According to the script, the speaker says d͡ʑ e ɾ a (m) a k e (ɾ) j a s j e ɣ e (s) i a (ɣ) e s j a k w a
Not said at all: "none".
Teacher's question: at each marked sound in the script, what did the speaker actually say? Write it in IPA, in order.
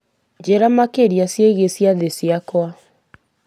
m, ɾ, s, ð

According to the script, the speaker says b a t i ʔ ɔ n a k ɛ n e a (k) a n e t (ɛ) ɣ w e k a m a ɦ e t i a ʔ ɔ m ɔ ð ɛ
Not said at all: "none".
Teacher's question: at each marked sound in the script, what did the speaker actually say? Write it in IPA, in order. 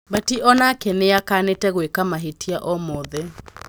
k, ɛ

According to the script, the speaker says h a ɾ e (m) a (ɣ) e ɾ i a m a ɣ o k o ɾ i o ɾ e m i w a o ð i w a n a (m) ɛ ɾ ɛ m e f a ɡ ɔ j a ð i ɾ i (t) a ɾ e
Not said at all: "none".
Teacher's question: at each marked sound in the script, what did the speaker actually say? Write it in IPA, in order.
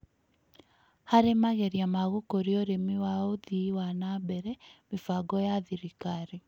m, ɣ, b, k

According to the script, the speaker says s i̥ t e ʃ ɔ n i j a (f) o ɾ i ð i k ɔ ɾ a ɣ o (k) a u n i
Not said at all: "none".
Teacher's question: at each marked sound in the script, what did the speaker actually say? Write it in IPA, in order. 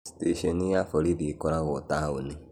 f, t

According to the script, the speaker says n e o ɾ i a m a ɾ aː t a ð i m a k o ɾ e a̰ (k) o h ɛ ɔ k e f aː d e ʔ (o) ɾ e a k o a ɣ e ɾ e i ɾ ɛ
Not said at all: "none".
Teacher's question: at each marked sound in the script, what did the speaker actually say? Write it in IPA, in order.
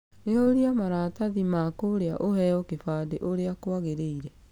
ʔ, o

